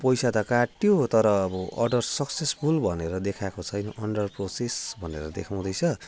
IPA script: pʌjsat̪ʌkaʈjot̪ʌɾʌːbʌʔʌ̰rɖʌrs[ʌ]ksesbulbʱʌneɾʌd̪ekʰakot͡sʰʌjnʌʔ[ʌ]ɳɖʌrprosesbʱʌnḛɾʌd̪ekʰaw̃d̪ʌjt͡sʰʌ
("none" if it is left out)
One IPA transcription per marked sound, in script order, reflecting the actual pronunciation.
ʌ, ʌ

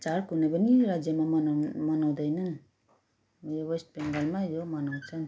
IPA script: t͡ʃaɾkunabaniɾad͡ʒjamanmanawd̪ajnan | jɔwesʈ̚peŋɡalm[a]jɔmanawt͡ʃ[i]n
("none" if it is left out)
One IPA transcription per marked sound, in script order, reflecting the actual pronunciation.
a, a

